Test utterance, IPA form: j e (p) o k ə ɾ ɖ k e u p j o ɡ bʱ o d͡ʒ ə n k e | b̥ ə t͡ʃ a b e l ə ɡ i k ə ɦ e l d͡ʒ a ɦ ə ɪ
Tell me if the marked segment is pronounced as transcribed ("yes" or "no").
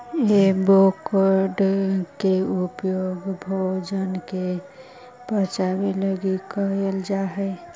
no